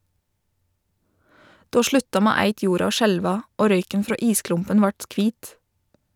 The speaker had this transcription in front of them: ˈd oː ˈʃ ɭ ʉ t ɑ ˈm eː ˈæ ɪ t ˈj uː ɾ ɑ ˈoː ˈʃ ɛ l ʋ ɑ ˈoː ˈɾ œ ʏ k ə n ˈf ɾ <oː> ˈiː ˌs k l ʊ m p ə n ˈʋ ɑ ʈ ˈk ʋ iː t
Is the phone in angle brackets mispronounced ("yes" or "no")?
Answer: no